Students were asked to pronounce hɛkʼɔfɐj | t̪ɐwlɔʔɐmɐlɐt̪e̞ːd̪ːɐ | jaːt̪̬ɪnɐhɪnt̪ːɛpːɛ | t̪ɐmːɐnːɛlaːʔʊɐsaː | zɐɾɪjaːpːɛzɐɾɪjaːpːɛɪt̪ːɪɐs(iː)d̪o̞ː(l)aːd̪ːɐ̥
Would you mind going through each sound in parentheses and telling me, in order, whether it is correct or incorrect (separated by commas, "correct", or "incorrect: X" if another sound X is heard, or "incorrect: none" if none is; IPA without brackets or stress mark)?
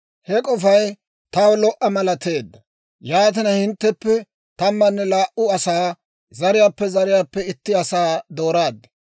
incorrect: aː, incorrect: ɾ